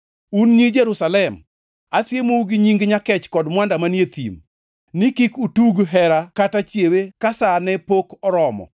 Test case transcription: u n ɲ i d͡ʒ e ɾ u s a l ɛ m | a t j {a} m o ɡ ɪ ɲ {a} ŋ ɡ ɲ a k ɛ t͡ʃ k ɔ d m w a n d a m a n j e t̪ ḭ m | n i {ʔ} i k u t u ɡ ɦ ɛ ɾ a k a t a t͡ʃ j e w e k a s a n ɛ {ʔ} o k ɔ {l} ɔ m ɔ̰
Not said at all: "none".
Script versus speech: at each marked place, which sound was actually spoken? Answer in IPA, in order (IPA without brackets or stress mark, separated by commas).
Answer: e, i, k, p, ɾ